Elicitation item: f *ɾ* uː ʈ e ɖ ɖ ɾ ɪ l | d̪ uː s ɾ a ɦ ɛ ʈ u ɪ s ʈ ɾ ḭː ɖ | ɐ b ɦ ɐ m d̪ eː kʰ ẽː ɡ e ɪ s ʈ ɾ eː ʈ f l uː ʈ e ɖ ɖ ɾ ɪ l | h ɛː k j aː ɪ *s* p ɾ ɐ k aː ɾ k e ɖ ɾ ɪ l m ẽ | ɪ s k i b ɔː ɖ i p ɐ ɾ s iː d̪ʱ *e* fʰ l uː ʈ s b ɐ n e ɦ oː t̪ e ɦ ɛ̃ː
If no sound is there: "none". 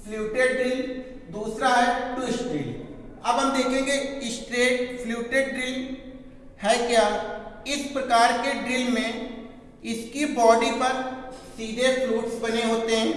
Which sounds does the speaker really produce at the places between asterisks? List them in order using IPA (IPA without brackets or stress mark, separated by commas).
l, s, e